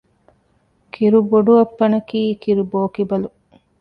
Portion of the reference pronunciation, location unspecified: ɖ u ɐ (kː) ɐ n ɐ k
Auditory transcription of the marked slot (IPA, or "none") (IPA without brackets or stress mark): pː